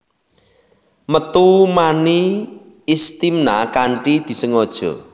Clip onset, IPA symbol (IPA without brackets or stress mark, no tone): m